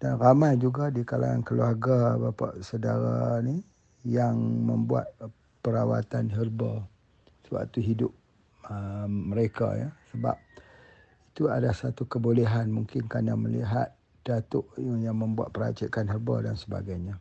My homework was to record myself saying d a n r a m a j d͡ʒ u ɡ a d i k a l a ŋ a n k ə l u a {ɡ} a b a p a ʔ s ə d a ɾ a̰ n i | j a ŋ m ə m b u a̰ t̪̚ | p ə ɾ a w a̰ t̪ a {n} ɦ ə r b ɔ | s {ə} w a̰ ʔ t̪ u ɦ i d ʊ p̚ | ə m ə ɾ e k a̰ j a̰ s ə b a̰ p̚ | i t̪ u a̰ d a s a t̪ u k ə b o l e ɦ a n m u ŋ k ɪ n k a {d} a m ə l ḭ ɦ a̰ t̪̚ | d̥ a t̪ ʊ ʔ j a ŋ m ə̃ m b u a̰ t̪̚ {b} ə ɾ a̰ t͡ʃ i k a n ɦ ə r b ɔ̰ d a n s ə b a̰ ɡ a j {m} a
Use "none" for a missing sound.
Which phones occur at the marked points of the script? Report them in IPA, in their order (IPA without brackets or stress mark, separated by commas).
ɡ, n, ə, n, p, ɲ